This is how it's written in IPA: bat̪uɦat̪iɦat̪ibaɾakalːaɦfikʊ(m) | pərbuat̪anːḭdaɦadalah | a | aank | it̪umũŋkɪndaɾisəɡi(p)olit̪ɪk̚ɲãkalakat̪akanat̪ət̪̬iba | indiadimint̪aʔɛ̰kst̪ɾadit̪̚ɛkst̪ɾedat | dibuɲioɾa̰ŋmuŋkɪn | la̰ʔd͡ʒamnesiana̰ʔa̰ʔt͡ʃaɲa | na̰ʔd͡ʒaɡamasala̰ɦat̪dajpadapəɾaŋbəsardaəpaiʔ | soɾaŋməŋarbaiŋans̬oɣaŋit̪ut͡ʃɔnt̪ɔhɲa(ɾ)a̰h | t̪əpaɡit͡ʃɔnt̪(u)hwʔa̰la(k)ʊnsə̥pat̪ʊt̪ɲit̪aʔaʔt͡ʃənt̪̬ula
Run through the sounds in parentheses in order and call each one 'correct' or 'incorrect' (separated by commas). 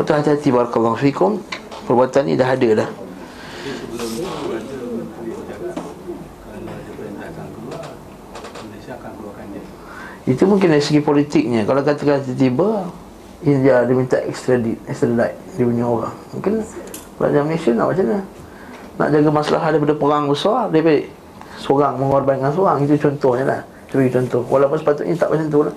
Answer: correct, correct, incorrect, incorrect, incorrect